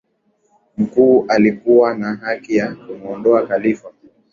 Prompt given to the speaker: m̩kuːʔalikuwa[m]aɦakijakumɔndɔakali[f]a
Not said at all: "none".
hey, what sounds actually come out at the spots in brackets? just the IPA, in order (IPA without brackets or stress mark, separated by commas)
n, f